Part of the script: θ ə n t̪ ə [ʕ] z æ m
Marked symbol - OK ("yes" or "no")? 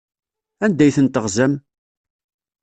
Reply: no